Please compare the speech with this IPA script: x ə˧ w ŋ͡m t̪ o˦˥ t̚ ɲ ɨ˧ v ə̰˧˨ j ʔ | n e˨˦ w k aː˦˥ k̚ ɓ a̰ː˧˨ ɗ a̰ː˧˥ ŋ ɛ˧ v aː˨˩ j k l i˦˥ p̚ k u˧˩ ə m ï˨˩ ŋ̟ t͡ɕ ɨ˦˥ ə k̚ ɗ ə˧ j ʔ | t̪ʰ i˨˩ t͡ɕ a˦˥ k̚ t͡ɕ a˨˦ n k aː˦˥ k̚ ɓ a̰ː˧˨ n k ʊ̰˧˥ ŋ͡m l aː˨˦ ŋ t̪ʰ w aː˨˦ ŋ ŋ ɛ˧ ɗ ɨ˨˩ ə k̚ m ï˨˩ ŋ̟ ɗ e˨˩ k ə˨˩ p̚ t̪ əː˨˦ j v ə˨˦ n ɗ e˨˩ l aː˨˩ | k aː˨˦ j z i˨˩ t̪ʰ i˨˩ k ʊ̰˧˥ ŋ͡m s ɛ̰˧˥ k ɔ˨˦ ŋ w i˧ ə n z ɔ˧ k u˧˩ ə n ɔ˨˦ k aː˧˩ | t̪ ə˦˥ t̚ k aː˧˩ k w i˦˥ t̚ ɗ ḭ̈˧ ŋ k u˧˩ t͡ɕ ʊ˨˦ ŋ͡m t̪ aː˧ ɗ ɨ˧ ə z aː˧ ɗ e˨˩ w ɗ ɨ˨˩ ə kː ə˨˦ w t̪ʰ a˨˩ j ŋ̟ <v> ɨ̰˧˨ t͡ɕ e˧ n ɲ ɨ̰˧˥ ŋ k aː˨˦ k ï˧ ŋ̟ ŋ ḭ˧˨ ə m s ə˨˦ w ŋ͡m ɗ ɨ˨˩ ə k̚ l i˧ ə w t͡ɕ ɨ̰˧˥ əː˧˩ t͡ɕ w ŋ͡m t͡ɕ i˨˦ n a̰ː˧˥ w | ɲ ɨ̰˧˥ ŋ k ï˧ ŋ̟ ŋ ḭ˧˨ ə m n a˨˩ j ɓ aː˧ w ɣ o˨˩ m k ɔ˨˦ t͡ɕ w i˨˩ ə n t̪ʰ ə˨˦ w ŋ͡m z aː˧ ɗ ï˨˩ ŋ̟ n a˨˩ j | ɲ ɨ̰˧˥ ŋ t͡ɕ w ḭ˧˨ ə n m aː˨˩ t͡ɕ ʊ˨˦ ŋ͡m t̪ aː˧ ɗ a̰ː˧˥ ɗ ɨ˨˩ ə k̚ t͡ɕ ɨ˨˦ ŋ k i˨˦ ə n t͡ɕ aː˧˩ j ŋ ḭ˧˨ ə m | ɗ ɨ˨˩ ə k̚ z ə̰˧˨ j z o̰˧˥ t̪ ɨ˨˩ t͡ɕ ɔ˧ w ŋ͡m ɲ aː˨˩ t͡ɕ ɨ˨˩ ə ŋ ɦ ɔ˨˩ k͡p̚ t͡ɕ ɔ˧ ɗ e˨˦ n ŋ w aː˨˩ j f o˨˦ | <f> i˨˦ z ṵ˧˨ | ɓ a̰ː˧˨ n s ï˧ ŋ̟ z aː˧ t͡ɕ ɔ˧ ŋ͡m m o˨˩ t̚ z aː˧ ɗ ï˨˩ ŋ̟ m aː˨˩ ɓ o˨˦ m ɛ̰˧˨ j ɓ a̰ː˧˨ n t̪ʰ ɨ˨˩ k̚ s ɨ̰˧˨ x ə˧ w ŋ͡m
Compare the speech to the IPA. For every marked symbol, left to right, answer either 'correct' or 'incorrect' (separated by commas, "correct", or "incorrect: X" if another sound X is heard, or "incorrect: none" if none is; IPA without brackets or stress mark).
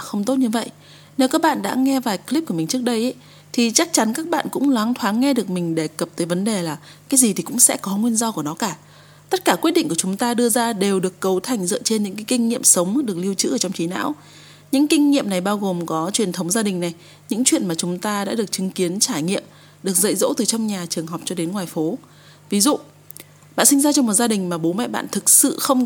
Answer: incorrect: z, incorrect: v